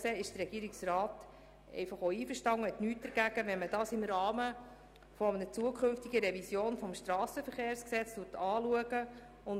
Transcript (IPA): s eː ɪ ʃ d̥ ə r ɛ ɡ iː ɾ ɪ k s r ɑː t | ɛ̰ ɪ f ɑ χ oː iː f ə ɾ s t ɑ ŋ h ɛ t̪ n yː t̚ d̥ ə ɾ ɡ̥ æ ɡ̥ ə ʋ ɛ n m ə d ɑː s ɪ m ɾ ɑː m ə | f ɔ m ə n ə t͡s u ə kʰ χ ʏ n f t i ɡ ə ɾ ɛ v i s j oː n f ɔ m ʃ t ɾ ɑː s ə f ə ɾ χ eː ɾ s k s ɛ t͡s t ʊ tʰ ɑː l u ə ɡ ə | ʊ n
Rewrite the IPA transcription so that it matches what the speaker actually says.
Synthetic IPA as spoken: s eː ɪ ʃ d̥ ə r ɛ ɡ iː ɾ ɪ k s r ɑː t | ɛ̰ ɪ f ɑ χ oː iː f ə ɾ ʃ t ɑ ŋ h ɛ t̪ n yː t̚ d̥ ə ɾ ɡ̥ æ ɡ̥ ə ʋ ɛ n m ə d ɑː s ɪ m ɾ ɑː m ə | f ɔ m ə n ə t͡s u ə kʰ χ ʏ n f t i ɡ ə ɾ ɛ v i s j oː n f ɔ m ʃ t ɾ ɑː s ə f ə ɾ χ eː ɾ s k s ɛ t͡s t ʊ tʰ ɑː l u ə ɡ ə | ʊ n

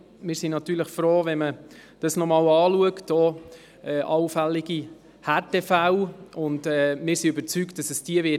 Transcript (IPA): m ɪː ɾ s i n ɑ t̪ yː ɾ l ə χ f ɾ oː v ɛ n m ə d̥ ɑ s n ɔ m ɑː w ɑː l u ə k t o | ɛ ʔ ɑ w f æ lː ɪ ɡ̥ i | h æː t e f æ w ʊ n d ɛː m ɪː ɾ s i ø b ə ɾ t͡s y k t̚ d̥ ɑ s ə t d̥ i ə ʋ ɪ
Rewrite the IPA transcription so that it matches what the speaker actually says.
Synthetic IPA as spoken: m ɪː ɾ s i n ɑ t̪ yː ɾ l ə χ f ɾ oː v ɛ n m ə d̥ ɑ s n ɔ m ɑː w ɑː l u ə k t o | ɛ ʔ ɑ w f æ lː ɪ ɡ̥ i | h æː t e f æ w ʊ n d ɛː m ɪː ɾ s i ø b ə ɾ t͡s y k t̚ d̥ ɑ s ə s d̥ i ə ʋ ɪ

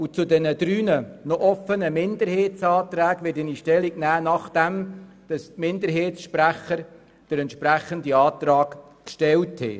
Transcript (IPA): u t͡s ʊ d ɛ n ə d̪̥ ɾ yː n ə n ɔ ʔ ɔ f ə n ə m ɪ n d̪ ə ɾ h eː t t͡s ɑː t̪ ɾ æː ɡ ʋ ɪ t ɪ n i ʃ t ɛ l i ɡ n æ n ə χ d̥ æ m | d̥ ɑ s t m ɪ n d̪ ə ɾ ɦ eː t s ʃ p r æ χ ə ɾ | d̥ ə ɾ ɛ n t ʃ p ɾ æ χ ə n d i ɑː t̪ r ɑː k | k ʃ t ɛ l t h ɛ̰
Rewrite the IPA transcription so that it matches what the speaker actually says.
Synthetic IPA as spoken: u t͡s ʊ d ɛ n ə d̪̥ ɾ yː n ə n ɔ ʔ ɔ f ə n ə m ɪ n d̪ ə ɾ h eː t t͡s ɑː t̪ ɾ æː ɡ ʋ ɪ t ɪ n i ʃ t ɛ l i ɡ n æː n ɑ χ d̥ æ m | d̥ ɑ s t m ɪ n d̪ ə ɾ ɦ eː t s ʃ p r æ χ ə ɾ | d̥ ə ɾ ɛ n t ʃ p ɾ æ χ ə n d i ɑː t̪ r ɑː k | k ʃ t ɛ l t h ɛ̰

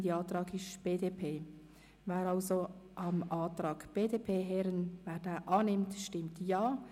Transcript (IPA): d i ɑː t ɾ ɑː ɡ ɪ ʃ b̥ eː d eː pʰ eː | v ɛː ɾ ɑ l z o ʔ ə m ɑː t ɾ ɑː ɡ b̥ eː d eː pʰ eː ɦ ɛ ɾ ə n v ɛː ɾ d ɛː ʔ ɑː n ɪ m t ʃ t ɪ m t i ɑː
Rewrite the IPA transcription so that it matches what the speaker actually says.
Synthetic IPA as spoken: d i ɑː t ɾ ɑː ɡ ɪ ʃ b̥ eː d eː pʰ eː | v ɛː ɾ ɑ l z o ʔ ɑ m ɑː t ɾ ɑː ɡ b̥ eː d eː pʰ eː ɦ ɛ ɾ ə n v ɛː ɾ d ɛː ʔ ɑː n ɪ m t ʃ t ɪ m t j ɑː

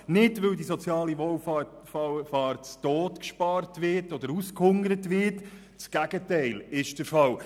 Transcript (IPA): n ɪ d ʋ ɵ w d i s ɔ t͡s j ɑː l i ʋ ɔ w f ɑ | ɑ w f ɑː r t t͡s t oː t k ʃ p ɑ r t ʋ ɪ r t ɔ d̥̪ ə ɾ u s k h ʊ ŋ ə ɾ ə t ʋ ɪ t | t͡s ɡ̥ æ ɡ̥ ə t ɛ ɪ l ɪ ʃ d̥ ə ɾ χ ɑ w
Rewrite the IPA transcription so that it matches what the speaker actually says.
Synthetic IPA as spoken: n ɪ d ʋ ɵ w d i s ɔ t͡s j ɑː l i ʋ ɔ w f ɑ | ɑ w f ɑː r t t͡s t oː t k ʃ p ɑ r t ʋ ɪ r t ɔ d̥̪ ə ɾ u s k h ʊ ŋ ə ɾ ə t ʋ ɪ t | t͡s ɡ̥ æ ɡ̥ ə t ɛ ɪ l ɪ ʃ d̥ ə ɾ f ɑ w

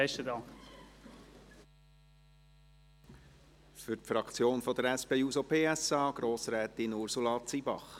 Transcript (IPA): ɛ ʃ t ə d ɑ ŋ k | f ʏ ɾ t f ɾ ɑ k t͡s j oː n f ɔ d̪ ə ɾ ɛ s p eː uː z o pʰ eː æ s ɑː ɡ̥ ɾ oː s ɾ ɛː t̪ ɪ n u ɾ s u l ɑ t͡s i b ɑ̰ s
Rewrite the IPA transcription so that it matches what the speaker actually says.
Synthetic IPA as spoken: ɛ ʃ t ə d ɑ ŋ k | f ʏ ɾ t f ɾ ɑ k t͡s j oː n f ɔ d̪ ə ɾ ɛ s p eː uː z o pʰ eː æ s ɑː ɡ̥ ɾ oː s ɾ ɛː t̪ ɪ n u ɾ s u l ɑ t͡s i b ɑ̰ χ

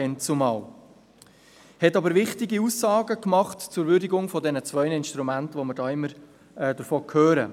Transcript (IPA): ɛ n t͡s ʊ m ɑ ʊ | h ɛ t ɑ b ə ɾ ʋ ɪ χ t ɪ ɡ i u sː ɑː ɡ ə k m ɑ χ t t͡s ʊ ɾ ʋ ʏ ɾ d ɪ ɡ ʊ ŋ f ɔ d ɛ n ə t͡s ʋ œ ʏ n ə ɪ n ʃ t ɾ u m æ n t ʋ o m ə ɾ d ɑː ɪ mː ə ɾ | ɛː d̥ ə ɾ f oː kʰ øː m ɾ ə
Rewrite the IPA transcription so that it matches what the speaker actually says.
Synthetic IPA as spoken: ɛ n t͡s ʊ m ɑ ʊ | h ɛ t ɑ b ə ɾ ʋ ɪ χ t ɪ ɡ i u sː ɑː ɡ ə k m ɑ χ t t͡s ʊ ɾ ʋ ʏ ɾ d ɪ ɡ ʊ ŋ f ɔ d ɛ n ə t͡s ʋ œ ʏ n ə ɪ n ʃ t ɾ u m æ n t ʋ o m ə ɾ d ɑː ɪ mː ə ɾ | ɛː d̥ ə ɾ f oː kʰ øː ɾ ə

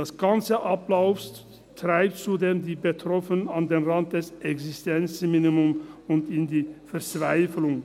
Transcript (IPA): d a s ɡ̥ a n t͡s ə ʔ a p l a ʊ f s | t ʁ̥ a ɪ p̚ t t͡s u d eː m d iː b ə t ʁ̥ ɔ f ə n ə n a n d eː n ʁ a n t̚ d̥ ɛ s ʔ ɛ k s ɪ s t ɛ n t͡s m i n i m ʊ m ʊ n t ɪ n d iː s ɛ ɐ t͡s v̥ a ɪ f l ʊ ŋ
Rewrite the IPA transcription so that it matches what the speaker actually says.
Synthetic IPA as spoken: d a s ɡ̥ a n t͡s ə ʔ a p l a ʊ f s | t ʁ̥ a ɪ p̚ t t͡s u d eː m d iː b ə t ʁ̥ ɔ f ə n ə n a n d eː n ʁ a n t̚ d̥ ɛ s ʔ ɛ k s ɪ s t ɛ n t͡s m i n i m ʊ m ʊ n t ɪ n d iː f ɛ ɐ t͡s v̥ a ɪ f l ʊ ŋ

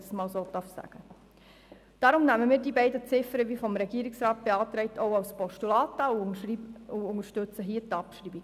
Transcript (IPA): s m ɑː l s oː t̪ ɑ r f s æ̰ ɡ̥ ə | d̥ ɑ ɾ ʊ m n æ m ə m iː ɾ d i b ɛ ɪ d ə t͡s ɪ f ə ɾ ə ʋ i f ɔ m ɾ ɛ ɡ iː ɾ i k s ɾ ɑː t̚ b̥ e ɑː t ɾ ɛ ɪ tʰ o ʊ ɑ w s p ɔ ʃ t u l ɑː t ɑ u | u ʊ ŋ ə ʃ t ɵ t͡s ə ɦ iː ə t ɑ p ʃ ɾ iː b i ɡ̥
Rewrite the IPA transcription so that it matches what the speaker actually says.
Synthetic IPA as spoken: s m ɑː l s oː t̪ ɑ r f s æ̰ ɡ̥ ə | d̥ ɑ ɾ ʊ m n æ m ə m iː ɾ d i b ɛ ɪ d ə t͡s ɪ f ə ɾ ə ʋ i f ɔ m ɾ ɛ ɡ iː ɾ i k s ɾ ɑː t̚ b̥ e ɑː t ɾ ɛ ɪ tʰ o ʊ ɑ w s p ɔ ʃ t u l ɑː t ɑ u | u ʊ ŋ ə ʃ t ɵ t͡s ə ɦ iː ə t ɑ p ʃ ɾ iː b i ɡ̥

